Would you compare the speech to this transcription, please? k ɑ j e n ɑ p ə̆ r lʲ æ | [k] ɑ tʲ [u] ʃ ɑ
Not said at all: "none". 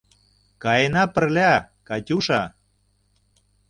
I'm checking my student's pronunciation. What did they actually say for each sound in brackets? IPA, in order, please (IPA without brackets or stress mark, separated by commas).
k, u